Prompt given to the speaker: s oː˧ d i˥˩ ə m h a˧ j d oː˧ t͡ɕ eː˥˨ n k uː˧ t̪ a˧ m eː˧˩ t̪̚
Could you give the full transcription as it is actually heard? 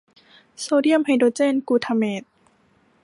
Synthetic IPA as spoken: s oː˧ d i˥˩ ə m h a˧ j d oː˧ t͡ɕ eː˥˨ n k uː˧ t̪ʰ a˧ m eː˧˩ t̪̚

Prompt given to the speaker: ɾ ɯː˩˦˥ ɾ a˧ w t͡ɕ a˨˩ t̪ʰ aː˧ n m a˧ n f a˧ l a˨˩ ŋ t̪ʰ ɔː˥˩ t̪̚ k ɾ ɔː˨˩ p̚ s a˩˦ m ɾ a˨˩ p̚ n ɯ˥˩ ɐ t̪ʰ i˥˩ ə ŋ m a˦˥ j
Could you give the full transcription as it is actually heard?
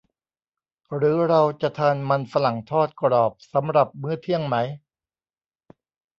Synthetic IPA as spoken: ɾ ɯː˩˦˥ ɾ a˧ w t͡ɕ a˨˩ t̪ʰ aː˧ n m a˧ n f a˧ l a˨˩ ŋ t̪ʰ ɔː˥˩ t̪̚ k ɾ ɔː˨˩ p̚ s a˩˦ m ɾ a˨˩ p̚ m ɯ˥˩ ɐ t̪ʰ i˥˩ ə ŋ m a˦˥ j

